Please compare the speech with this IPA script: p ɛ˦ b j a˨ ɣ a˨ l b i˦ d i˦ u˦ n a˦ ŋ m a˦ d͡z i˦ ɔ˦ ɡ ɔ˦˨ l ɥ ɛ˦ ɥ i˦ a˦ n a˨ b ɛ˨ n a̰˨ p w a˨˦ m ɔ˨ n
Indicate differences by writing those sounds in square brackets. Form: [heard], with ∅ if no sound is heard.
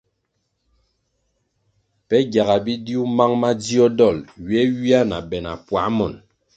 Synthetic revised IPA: p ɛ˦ [ɡ] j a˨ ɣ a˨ [∅] b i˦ d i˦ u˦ [m] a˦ ŋ m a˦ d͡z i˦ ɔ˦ [d] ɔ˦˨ l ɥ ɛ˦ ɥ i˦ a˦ n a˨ b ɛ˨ n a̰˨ p w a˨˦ m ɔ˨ n